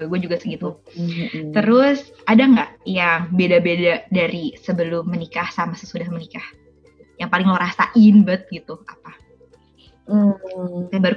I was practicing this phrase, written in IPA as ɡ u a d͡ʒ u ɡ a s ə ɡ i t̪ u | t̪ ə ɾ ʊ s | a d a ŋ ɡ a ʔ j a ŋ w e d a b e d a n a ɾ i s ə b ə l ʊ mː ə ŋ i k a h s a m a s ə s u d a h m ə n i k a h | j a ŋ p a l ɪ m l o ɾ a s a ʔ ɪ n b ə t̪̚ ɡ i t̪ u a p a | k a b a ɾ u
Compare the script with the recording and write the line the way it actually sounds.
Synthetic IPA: ɡ u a d͡ʒ u ɡ a s ə ɡ i t̪ u | t̪ ə ɾ ʊ s | a d a ŋ ɡ a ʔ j a ŋ b e d a b e d a d a ɾ i s ə b ə l ʊ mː ə n i k a h s a m a s ə s u d a h m ə n i k a h | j a ŋ p a l ɪ ŋ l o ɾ a s a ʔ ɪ n b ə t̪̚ ɡ i t̪ u a p a | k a b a ɾ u